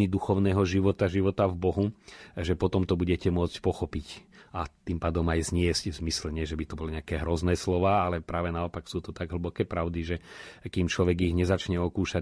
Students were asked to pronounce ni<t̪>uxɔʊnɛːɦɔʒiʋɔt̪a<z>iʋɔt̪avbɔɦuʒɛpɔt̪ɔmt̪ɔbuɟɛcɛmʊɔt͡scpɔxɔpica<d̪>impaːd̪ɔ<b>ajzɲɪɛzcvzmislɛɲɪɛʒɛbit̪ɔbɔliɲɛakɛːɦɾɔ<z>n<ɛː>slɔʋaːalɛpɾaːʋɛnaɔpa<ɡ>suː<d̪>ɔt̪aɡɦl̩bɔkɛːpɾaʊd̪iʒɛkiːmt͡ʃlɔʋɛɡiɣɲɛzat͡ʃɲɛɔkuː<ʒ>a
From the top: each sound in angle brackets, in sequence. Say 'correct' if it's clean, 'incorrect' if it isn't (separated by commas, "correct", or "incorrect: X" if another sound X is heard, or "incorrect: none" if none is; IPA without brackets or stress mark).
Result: incorrect: d̪, incorrect: ʒ, incorrect: t̪, incorrect: m, correct, correct, incorrect: k, incorrect: t̪, incorrect: ʃ